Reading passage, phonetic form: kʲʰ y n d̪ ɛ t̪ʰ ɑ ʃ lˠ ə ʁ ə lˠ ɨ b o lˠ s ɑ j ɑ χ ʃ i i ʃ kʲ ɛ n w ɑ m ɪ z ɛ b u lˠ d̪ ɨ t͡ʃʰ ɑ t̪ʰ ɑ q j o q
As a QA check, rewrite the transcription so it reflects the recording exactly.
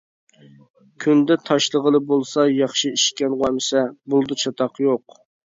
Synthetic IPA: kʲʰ y n d̪ ɛ t̪ʰ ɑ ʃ lˠ ə ʁ ə lˠ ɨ b o lˠ s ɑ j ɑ χ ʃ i i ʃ kʲ ɛ n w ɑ m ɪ s ɛ b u lˠ d̪ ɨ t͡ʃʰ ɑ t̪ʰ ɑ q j o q